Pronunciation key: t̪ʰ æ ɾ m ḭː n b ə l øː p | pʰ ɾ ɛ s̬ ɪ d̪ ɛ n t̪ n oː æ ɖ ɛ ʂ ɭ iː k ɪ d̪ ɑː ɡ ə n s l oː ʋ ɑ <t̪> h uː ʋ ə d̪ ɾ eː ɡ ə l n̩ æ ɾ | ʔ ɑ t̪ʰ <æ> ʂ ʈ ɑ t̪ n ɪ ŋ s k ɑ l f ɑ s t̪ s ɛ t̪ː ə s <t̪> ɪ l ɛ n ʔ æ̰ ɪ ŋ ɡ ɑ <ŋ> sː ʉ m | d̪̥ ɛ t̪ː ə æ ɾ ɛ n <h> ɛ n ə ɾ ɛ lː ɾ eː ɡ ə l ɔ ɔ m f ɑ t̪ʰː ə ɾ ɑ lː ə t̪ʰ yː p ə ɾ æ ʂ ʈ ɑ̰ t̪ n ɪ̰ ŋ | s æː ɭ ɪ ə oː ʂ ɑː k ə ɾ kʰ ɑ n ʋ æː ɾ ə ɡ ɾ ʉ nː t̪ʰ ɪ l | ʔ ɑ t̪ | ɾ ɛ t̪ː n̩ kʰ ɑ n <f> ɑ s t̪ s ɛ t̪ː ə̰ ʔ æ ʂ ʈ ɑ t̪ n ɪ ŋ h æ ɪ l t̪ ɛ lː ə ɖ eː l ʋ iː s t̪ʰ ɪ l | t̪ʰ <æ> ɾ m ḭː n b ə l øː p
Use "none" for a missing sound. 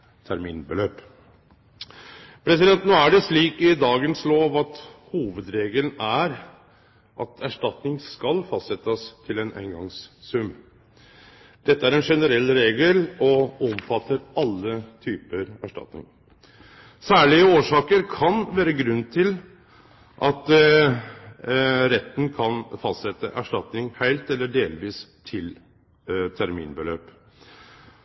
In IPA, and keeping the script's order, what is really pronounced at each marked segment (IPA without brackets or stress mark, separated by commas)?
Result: t̪, æ, t̪ʰ, ŋ, ʂ, f, æ